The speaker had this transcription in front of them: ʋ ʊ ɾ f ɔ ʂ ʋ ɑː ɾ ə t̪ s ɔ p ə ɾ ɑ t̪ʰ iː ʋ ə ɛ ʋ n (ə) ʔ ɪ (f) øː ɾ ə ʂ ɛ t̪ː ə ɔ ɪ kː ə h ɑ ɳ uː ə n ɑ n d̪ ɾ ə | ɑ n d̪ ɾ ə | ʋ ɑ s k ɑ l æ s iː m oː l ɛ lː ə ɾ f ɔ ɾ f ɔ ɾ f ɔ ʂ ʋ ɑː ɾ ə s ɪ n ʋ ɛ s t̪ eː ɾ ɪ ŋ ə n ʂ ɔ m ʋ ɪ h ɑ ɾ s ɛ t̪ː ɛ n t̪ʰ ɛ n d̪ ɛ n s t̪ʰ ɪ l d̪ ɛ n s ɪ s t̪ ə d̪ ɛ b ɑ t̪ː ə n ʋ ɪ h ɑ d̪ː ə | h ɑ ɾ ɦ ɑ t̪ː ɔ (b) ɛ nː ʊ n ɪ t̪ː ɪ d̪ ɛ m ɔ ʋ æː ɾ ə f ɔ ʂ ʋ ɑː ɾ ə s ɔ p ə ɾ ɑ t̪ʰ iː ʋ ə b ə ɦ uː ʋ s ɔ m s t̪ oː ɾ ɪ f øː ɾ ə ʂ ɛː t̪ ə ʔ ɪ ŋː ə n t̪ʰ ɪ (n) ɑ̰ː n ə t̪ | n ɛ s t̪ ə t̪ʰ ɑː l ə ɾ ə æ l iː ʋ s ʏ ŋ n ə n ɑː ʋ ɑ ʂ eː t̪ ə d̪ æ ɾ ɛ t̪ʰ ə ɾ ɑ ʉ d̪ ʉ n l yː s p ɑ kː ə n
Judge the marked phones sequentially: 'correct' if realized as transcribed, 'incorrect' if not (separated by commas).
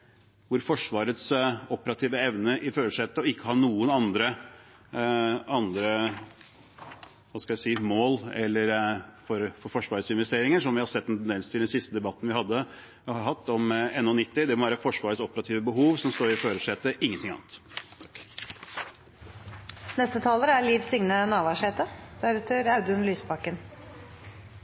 correct, correct, incorrect, incorrect